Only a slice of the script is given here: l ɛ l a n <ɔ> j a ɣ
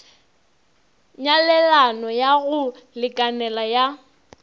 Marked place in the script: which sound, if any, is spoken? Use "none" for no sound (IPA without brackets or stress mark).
ɔ